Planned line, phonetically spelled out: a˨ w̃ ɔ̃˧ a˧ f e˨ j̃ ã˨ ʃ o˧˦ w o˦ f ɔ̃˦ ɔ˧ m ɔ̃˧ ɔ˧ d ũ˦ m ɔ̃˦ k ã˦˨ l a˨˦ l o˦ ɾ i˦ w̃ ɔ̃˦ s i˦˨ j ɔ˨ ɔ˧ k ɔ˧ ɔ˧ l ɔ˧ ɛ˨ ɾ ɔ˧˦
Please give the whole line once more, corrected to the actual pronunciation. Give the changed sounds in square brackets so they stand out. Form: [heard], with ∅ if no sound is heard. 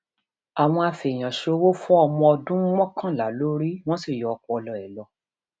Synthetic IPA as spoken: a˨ w̃ ɔ̃˧ a˧ f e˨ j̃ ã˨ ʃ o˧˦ w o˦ f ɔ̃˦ ɔ˧ m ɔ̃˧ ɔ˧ d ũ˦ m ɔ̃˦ k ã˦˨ l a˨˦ l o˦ ɾ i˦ w̃ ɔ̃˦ s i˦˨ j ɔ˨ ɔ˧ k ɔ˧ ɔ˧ l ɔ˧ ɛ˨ [l] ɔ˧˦